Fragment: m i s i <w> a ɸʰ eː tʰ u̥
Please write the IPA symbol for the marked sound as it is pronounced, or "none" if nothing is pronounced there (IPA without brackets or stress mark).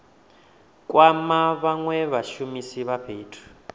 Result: β